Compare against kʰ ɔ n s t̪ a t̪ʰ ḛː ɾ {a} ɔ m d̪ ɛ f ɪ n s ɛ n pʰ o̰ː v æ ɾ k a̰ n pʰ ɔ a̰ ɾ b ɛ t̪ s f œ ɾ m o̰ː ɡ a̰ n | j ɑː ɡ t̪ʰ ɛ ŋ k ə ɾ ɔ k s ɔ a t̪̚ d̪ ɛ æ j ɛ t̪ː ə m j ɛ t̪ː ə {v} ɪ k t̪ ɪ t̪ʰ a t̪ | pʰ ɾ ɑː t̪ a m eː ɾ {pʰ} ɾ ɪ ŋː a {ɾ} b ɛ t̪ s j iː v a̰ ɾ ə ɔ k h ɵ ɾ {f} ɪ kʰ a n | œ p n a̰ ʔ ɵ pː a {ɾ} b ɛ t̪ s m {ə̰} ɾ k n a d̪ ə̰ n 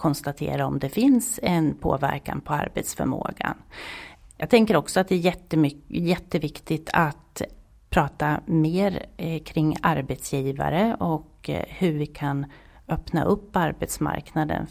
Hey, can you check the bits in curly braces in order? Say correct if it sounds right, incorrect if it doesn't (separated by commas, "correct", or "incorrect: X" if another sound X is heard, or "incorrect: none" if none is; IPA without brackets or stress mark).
correct, correct, incorrect: kʰ, correct, incorrect: v, correct, incorrect: a̰